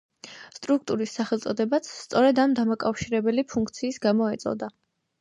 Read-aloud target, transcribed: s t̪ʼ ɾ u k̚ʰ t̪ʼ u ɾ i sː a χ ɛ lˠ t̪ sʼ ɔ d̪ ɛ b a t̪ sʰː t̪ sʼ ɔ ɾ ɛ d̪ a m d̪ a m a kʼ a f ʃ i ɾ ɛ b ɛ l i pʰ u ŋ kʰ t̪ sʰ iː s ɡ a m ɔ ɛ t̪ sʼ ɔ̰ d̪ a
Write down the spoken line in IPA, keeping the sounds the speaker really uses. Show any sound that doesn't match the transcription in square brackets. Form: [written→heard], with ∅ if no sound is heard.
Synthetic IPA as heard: s t̪ʼ ɾ u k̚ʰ t̪ʼ u ɾ i sː a χ ɛ lˠ t̪ sʼ ɔ d̪ ɛ b a t̪ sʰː t̪ sʼ ɔ ɾ ɛ d̪ a m d̪ a m a kʼ a f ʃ i ɾ ɛ b ɛ l i pʰ u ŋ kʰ t̪ sʰ iː s ɡ a m ɔ ɛ t̪ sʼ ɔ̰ d̪ a